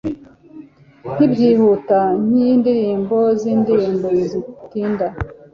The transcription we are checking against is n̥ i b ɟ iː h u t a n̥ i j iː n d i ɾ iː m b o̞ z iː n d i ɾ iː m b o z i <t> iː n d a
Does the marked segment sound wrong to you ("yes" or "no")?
no